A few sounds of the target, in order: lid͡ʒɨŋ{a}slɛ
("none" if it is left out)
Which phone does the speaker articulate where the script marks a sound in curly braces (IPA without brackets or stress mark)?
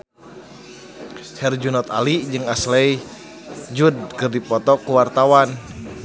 a